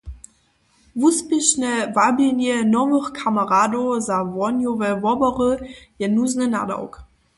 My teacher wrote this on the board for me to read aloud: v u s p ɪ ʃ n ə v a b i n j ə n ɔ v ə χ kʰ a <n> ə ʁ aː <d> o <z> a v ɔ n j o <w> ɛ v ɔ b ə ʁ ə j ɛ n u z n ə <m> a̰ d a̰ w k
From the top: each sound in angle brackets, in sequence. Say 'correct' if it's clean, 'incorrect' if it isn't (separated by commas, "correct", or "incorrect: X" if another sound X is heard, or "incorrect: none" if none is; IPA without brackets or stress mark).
incorrect: m, correct, correct, incorrect: v, incorrect: n